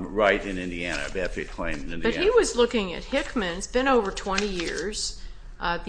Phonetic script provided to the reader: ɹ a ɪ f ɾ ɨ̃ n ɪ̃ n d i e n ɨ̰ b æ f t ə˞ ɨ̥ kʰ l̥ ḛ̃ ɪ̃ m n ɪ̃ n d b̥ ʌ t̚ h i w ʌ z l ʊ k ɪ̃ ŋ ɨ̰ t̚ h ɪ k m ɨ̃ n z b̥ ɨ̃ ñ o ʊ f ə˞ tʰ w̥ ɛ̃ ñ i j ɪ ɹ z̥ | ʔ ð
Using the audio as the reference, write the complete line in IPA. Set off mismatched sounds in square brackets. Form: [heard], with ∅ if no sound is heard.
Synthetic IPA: ɹ a ɪ [∅] ɾ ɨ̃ n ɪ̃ n d i [æ] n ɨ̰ b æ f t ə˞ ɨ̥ kʰ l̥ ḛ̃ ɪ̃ m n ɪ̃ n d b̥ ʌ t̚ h i w ʌ z l ʊ k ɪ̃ ŋ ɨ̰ t̚ h ɪ k m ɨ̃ n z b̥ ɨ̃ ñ o ʊ [v] ə˞ tʰ w̥ ɛ̃ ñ i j ɪ ɹ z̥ | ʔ ð